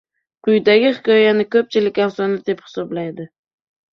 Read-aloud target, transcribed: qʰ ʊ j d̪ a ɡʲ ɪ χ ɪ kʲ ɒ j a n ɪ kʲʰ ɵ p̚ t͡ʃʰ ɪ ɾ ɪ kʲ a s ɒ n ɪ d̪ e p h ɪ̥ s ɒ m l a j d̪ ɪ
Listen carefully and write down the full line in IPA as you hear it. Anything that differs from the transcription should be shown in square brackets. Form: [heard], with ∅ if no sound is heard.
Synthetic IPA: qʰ ʊ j d̪ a ɡʲ ɪ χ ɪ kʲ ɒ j a n ɪ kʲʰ ɵ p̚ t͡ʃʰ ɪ [l] ɪ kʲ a s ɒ n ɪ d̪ e p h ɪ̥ s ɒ [b] l a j d̪ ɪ